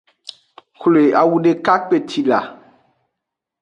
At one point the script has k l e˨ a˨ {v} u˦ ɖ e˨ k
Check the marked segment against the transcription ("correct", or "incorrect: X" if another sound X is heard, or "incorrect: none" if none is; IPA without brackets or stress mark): incorrect: w